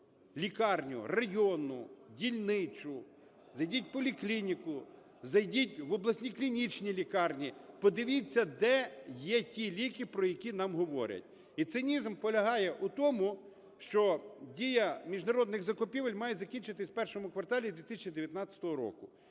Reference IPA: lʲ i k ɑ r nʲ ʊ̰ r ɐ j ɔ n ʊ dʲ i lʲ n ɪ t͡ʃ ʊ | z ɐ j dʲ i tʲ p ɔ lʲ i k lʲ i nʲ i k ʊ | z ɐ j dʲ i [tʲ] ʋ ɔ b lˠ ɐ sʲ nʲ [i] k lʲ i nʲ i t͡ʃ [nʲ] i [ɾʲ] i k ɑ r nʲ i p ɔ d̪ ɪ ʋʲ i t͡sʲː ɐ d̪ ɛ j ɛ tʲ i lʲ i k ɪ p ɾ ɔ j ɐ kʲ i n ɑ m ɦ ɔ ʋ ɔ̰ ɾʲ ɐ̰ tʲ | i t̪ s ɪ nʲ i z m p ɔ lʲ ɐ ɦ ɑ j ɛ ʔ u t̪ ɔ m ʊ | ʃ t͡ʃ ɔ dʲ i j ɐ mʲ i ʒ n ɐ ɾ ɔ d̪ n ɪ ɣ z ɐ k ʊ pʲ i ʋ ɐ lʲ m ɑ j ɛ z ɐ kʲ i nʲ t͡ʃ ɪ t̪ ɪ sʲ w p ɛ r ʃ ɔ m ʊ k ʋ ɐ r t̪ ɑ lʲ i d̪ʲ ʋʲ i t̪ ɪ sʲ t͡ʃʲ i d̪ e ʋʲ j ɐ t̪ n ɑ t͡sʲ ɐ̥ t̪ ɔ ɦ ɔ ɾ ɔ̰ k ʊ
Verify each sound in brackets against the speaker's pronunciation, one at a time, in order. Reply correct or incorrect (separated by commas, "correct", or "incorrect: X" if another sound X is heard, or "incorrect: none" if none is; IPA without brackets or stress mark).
correct, correct, correct, incorrect: lʲ